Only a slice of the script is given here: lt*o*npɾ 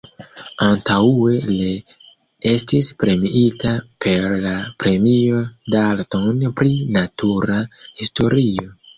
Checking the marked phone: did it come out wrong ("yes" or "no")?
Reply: no